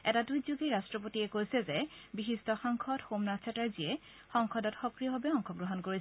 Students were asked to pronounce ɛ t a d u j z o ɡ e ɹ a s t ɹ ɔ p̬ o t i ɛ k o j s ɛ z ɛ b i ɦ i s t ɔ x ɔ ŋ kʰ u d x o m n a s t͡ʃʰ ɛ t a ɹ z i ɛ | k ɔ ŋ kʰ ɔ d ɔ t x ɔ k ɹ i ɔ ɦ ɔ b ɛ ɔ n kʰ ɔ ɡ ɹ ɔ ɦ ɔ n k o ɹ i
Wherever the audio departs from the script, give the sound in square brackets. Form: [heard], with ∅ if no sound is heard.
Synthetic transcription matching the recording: ɛ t a d u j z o ɡ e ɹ a s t ɹ ɔ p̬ o t i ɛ k o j s ɛ z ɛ b i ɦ i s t ɔ x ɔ ŋ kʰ [ɔ] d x o m n a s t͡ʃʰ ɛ t a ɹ z i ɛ | [x] ɔ ŋ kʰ ɔ d ɔ t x ɔ k ɹ i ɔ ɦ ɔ b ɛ ɔ [ŋ] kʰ ɔ ɡ ɹ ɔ ɦ ɔ n k o ɹ i